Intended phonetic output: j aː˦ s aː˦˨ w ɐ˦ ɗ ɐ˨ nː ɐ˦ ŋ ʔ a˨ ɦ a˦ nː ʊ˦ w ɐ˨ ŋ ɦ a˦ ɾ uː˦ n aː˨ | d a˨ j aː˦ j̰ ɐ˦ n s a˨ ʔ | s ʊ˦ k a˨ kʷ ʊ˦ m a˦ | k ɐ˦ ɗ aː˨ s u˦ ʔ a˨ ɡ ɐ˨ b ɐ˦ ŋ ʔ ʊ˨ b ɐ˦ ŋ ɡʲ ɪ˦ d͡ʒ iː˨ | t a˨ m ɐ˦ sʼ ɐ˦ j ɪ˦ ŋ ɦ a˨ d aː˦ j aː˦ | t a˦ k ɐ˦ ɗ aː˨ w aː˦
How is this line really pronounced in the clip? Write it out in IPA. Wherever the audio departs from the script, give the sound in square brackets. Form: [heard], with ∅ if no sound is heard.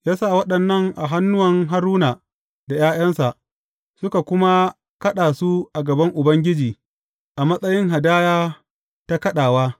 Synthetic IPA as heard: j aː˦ s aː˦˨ w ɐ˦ ɗ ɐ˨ nː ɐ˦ ŋ ʔ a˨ ɦ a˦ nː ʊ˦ w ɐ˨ ŋ ɦ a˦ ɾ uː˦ n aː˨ | d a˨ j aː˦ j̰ ɐ˦ n s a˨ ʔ | s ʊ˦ k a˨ kʷ ʊ˦ m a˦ | k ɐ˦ ɗ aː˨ s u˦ ʔ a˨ ɡ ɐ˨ b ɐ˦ ŋ ʔ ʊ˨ b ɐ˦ ŋ ɡʲ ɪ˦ d͡ʒ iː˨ | [ʔ] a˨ m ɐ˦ sʼ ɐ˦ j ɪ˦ ŋ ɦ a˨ d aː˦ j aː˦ | t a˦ k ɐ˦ ɗ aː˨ w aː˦